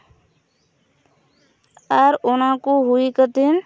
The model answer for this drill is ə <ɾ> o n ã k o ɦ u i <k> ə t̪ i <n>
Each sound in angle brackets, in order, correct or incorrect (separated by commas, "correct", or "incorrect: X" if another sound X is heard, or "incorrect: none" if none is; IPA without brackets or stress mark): correct, correct, correct